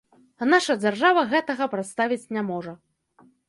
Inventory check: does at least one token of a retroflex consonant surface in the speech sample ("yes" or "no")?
yes